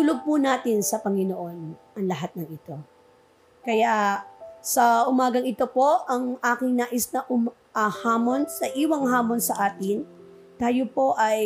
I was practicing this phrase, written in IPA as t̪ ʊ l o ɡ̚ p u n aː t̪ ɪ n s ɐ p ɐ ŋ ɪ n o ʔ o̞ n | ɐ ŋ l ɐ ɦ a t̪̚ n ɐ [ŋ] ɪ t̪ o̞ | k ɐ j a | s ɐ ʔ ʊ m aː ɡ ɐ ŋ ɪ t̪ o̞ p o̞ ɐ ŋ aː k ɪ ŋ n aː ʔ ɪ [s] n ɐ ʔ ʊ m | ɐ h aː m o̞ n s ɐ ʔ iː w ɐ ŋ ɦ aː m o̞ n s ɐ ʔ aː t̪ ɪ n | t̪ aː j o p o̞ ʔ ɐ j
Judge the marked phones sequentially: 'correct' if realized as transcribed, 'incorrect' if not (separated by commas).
correct, correct